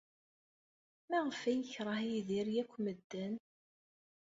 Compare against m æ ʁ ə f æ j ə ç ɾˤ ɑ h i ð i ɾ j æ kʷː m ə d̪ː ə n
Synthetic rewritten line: m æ ʁ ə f æ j ə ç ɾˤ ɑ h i ð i ɾ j æ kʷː m ə d̪ː ə n